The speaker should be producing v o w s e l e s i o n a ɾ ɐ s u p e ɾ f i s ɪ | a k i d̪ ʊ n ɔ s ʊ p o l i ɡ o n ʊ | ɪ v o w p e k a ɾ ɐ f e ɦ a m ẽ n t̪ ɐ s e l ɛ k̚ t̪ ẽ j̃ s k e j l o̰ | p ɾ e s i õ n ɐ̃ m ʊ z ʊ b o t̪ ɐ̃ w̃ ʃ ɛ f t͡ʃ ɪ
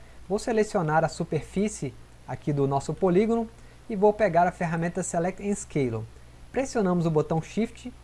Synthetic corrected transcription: v o w s e l e s i o n a ɾ ɐ s u p e ɾ f i s ɪ | a k i d̪ ʊ n ɔ s ʊ p o l i ɡ o n ʊ | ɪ v o w p e ɡ a ɾ ɐ f e ɦ a m ẽ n t̪ ɐ s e l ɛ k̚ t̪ ẽ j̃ s k e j l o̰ | p ɾ e s i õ n ɐ̃ m ʊ z ʊ b o t̪ ɐ̃ w̃ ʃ i f t͡ʃ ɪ

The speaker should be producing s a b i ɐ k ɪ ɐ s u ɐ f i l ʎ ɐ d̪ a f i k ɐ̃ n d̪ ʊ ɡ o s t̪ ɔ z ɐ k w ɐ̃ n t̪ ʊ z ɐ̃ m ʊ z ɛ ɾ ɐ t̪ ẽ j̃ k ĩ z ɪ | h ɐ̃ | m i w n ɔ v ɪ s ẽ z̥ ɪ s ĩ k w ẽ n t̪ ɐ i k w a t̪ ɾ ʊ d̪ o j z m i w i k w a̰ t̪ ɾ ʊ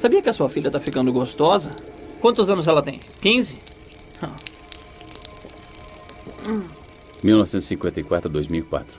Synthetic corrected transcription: s a b i ɐ k ɪ ɐ s u ɐ f i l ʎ ɐ t̪ a f i k ɐ̃ n d̪ ʊ ɡ o s t̪ ɔ z ɐ k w ɐ̃ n t̪ ʊ z ɐ̃ n ʊ z ɛ l ɐ t̪ ẽ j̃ k ĩ z ɪ | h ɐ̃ | m i w n ɔ v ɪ s ẽ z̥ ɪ s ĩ k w ẽ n t̪ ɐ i k w a t̪ ɾ ʊ d̪ o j z m i w i k w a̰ t̪ ɾ ʊ

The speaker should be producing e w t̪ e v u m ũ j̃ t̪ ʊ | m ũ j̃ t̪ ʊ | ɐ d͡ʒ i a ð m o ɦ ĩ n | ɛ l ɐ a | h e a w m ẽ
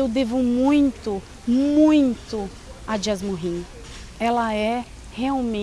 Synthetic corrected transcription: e w d̪ e v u m ũ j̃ t̪ ʊ | m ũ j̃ t̪ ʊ | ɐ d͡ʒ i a z m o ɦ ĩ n | ɛ l ɐ ɛ | h e a w m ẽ

